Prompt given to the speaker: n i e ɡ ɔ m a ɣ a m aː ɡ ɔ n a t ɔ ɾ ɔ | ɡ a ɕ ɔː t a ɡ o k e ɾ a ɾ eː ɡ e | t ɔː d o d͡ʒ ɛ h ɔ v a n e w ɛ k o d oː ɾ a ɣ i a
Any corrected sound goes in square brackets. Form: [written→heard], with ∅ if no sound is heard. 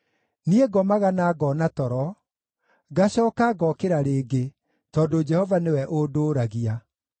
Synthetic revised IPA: n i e ɡ ɔ m a ɣ a [m→n] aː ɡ ɔ n a t ɔ ɾ ɔ | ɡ a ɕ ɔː [t→k] a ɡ [o→ɔ] k e ɾ a ɾ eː ɡ e | t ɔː d o d͡ʒ ɛ h ɔ v a n e w ɛ [k→ʔ] o d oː ɾ a ɣ i a